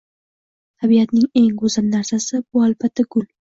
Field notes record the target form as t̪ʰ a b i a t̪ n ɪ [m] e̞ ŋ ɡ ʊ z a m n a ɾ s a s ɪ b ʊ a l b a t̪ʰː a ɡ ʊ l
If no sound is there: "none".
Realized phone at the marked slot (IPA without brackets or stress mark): ŋ